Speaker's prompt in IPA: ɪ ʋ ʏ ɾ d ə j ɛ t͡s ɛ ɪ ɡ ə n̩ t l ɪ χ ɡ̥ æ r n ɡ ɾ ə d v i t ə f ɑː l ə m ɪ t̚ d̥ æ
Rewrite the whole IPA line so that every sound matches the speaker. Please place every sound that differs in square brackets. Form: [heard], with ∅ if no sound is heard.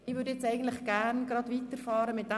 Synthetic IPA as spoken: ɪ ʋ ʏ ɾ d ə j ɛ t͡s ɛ ɪ ɡ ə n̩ t l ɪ χ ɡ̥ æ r n ɡ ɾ [ɑ] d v i t ə f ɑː [ɾ] ə m ɪ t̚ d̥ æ